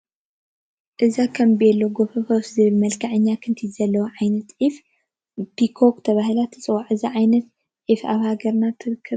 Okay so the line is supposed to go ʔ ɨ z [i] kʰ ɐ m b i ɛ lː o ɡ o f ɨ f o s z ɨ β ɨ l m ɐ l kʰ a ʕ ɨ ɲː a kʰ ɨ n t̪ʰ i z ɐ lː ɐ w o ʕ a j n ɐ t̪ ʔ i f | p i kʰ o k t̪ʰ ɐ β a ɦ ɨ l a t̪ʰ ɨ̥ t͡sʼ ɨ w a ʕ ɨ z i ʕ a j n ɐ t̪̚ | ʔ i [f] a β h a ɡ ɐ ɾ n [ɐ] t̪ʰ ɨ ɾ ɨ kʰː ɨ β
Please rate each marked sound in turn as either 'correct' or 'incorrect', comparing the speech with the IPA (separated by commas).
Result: incorrect, correct, incorrect